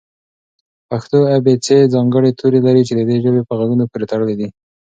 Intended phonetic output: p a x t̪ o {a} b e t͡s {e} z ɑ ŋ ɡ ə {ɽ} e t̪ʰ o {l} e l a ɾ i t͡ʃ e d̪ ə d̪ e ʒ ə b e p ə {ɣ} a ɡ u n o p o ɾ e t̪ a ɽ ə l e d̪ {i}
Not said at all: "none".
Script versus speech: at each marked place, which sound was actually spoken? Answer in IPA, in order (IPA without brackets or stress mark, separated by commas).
a, e, ɽ, ɾ, ɣ, i